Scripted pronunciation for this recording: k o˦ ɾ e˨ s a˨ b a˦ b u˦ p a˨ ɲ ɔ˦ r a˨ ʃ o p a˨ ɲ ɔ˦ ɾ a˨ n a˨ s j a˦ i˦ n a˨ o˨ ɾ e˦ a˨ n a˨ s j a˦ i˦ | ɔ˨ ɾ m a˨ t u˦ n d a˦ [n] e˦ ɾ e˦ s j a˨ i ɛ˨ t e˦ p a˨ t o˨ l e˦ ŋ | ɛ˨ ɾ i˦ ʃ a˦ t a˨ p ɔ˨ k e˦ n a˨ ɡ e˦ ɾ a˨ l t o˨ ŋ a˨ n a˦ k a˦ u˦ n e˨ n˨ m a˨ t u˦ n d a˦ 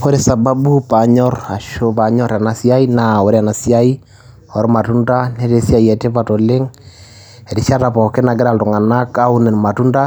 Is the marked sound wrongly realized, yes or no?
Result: no